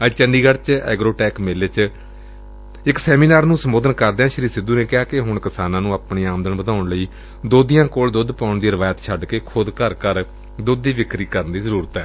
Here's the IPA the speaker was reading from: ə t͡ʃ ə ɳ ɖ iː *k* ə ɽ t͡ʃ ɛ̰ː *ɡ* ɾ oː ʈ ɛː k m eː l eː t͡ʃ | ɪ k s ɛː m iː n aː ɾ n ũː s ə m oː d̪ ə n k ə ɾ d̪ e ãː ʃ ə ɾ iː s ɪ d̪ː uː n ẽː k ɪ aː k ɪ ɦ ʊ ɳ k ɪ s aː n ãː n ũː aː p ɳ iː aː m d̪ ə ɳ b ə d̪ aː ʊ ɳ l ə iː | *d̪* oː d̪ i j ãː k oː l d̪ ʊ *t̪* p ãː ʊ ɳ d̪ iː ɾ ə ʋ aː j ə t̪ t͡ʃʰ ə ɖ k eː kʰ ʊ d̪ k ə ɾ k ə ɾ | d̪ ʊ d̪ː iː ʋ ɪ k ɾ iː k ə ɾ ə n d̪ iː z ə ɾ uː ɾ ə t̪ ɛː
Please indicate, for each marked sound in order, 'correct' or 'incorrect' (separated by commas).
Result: incorrect, correct, correct, incorrect